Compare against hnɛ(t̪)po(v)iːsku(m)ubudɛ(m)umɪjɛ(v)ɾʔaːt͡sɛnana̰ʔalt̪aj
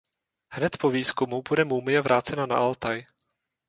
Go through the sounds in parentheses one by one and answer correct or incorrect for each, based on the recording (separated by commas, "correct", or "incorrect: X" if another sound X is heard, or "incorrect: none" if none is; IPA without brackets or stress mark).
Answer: correct, correct, correct, correct, correct